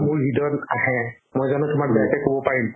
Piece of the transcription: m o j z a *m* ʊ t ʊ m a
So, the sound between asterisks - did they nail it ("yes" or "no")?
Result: no